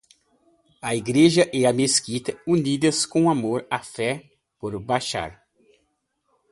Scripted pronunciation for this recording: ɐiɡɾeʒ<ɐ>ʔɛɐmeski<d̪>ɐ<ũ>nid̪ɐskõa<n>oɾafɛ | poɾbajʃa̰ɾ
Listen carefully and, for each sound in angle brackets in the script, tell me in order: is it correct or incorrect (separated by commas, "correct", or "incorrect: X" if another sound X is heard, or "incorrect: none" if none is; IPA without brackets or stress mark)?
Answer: correct, incorrect: t̪, incorrect: u, incorrect: m